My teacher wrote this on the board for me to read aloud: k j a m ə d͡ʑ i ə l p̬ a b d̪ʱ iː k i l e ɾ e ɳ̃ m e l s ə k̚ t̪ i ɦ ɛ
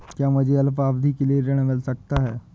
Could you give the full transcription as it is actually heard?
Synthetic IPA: k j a m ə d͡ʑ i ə l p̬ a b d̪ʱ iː k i l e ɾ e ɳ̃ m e l s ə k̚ t̪ a ɦ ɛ